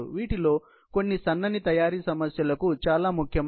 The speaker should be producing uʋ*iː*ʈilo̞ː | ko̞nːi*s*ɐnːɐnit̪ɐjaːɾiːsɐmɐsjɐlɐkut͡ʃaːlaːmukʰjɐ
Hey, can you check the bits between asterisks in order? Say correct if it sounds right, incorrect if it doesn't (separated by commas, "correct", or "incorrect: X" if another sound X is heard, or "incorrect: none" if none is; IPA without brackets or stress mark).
correct, correct